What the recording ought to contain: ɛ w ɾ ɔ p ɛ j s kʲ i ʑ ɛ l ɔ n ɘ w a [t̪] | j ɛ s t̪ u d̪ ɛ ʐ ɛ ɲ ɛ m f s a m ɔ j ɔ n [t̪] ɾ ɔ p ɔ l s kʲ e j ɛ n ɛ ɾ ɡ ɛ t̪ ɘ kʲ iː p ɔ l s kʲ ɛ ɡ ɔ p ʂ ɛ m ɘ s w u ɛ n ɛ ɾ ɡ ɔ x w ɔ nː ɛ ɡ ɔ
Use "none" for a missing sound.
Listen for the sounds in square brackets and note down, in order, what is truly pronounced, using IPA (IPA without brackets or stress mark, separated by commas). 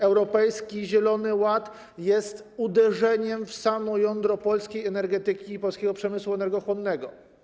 t̪, d̪